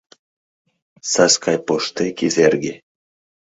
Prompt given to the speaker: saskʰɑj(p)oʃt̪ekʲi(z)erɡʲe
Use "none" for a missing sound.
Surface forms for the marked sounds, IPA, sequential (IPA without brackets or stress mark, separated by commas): p, z